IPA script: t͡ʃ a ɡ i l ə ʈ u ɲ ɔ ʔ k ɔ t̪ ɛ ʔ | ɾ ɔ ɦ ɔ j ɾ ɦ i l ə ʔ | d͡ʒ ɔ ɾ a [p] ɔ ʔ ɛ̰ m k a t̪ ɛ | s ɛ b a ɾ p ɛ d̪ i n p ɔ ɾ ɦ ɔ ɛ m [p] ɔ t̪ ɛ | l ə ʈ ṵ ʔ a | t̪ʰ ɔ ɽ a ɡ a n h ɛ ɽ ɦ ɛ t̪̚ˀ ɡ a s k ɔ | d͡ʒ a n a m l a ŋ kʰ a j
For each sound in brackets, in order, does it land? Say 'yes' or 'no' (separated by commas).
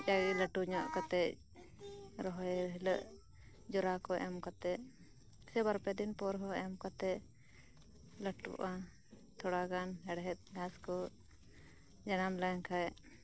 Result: no, no